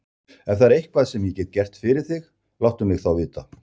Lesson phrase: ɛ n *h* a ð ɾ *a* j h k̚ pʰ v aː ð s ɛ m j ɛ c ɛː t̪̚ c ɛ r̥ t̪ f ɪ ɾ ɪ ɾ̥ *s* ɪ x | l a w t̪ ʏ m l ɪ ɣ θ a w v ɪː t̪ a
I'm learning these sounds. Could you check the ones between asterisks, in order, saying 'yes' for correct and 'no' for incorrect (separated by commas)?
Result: no, no, no